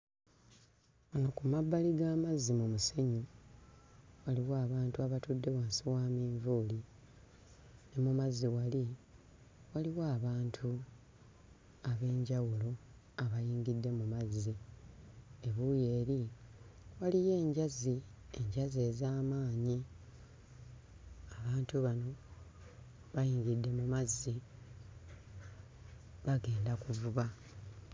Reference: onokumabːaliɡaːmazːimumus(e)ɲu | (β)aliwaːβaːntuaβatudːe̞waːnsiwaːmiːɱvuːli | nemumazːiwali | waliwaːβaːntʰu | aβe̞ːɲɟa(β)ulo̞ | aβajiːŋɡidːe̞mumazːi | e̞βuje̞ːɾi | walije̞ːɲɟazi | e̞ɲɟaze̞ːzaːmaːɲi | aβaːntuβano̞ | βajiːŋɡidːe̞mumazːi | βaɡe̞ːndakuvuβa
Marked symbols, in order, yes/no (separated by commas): yes, no, no